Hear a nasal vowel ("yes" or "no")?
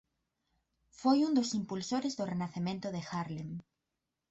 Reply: yes